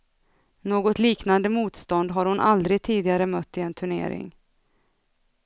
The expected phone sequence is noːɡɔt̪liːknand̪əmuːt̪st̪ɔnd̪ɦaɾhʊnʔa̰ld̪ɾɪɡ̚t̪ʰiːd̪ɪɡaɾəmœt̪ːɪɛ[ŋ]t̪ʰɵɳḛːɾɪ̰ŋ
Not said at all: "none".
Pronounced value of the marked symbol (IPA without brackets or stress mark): n